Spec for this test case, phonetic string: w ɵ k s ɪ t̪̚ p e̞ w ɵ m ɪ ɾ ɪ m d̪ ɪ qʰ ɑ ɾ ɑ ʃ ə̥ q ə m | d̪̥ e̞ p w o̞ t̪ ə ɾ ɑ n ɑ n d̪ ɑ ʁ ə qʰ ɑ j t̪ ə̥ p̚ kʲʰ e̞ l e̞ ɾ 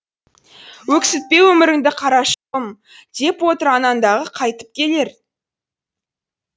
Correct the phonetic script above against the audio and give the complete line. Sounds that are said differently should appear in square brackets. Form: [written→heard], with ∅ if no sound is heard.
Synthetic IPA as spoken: w ɵ k s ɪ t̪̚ p e̞ w ɵ m ɪ ɾ ɪ [m→ŋ] d̪ ɪ qʰ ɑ ɾ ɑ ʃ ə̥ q ə m | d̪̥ e̞ p w o̞ t̪ ə ɾ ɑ n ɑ n d̪ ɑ ʁ ə qʰ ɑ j t̪ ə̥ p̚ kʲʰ e̞ l e̞ ɾ